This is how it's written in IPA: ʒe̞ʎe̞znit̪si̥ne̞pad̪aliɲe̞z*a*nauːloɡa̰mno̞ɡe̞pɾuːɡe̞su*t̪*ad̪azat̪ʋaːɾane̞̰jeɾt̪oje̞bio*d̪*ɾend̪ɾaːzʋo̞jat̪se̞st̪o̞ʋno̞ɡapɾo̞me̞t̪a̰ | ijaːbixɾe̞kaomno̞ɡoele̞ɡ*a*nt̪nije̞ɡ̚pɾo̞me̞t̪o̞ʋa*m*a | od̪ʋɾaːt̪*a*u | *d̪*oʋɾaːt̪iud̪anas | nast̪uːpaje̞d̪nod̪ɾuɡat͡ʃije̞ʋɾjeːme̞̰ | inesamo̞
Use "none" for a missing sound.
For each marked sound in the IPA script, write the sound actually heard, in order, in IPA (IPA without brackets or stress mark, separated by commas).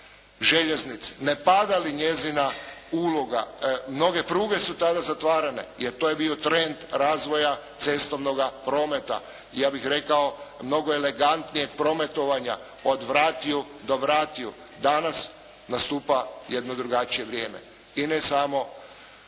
i, t̪, t̪, a, ɲ, i, d̪